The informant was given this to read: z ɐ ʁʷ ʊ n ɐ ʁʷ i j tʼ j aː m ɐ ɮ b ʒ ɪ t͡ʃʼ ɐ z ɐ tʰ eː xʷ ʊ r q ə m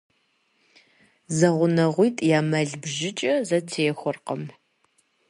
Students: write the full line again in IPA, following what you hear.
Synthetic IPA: z ɐ ʁʷ ʊ n ɐ ʁʷ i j tʼ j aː m ɐ ɮ b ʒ ɪ t͡ʃʼ ɐ z ɐ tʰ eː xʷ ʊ r q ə m

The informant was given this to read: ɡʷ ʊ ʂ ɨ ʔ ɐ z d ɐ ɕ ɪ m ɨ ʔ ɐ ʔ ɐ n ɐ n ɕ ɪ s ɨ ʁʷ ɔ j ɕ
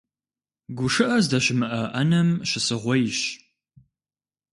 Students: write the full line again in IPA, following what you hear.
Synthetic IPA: ɡʷ ʊ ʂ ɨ ʔ ɐ z d ɐ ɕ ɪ m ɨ ʔ ɐ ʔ ɐ n ɐ m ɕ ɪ s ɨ ʁʷ ɔ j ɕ

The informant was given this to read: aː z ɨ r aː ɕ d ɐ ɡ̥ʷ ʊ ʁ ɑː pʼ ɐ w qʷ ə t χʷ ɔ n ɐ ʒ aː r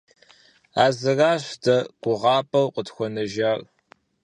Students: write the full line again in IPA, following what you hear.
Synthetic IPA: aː z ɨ r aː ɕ d ɐ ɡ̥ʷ ʊ ʁ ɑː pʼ ɐ w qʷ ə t xʷ ɔ n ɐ ʒ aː r

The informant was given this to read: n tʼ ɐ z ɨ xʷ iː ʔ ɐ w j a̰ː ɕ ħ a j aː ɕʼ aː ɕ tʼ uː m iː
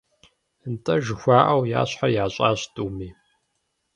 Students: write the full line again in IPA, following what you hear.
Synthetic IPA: n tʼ ɐ ʒ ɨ xʷ aː ʔ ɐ w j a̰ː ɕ ħ a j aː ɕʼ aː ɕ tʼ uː m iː

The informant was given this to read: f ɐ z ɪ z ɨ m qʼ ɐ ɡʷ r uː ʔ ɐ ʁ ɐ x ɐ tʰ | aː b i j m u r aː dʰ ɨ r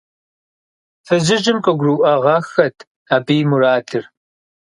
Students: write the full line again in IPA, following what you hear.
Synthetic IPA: f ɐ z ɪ ʒ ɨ m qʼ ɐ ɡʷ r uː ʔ ɐ ʁ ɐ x ɐ tʰ | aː b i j m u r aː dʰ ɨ r

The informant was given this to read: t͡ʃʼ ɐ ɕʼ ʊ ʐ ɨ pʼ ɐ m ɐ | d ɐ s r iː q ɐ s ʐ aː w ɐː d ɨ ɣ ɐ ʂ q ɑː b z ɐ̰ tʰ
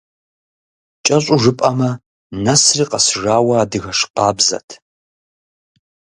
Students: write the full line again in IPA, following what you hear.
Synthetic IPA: t͡ʃʼ ɐ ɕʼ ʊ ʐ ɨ pʼ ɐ m ɐ | n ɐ s r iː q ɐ s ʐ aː w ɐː d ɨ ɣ ɐ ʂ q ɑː b z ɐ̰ tʰ

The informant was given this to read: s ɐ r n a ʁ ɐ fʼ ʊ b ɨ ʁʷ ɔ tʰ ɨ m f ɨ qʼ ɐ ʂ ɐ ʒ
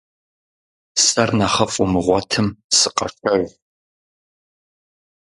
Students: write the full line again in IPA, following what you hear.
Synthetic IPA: s ɐ r n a χ ɐ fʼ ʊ m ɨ ʁʷ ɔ tʰ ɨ m s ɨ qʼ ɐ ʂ ɐ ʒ

